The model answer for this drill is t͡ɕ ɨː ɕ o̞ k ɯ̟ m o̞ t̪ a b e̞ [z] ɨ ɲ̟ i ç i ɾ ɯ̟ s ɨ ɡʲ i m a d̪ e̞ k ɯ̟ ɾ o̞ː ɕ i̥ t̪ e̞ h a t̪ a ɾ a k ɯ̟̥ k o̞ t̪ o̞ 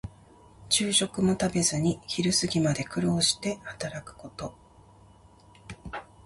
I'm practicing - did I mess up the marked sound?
no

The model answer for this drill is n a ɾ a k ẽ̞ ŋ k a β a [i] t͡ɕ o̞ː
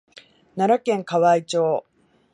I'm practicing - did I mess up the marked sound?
no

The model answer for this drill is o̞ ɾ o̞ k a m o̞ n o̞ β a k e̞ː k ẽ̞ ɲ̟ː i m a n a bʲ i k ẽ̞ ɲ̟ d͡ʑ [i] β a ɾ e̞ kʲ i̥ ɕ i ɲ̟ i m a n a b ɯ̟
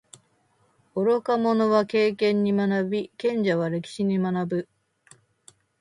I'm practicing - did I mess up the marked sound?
yes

